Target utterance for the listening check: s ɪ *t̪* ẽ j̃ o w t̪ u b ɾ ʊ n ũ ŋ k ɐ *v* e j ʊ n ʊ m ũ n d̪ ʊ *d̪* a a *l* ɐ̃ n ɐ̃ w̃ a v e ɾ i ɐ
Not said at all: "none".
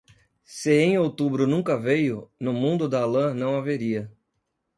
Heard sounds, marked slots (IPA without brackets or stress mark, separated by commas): none, v, d̪, l